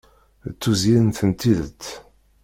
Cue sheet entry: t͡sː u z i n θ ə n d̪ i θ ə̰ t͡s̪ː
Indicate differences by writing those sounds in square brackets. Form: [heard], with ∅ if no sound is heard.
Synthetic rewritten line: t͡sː u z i n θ ə n [t̪] i [ð] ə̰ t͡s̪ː